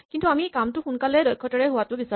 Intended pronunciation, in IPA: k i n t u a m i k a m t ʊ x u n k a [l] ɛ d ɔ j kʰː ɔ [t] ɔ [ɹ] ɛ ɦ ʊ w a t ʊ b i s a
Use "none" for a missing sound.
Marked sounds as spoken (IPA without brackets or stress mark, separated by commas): l, t, ɹ